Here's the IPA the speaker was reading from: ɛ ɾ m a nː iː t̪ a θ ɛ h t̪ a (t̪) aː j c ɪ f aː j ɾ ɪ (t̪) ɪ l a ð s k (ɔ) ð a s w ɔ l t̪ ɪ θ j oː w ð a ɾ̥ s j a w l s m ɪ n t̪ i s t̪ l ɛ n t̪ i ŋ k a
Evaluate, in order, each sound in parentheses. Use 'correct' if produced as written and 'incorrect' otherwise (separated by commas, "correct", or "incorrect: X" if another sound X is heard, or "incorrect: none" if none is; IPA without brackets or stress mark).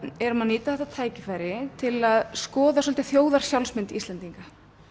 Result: incorrect: t̪ʰ, incorrect: t̪ʰ, incorrect: ɔː